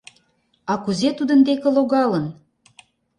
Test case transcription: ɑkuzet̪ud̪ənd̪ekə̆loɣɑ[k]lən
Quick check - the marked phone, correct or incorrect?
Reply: incorrect